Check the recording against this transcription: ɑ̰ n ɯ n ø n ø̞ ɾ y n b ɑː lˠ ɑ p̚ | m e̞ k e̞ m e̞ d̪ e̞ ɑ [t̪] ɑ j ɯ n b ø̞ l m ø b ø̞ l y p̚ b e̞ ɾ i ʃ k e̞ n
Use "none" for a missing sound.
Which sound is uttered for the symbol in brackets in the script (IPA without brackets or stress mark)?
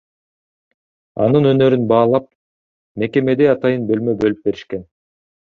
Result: t̪